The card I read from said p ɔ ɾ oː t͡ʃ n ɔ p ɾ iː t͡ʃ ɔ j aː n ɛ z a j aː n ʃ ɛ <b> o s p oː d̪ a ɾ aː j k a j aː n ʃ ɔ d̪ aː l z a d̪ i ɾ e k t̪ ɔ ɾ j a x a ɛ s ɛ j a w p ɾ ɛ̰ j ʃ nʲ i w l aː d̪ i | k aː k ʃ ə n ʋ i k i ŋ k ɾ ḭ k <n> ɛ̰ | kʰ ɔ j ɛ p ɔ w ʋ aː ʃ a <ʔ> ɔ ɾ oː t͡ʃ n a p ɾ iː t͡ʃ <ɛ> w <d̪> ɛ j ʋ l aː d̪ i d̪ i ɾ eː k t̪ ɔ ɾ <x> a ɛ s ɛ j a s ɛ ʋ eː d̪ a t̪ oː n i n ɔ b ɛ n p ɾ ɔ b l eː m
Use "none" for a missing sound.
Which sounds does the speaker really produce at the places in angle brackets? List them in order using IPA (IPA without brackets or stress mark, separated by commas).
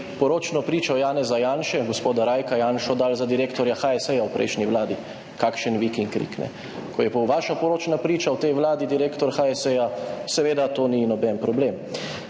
ɡ, n, p, a, t̪, x